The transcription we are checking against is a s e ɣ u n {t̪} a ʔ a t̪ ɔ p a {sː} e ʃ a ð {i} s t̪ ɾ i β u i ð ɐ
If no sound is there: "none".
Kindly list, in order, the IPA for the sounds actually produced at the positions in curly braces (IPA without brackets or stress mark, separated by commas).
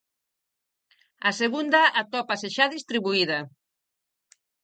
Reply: d̪, s, i